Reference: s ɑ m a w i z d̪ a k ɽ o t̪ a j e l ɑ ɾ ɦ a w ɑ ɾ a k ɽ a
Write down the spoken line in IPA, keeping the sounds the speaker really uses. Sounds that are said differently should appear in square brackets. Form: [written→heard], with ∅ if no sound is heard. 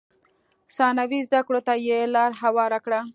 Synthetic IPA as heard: s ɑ [m→n] a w i z d̪ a k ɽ o t̪ a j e l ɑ ɾ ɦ a w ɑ ɾ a k ɽ a